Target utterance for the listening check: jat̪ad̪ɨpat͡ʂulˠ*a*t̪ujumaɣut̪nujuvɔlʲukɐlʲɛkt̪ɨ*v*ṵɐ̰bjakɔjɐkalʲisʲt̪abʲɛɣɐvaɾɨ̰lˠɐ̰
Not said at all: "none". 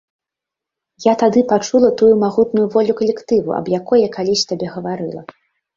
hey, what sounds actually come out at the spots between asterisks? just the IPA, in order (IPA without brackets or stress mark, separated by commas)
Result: ɐ, v